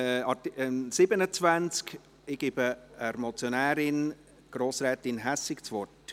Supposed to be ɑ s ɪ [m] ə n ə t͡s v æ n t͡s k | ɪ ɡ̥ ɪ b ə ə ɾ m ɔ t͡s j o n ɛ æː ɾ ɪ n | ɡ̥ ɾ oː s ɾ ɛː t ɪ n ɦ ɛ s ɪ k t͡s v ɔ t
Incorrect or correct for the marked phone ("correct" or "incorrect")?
incorrect